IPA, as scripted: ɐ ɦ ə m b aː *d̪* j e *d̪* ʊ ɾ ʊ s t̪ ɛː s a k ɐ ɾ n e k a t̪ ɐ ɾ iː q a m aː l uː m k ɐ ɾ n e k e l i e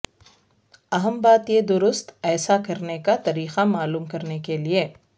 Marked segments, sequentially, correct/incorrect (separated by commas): incorrect, correct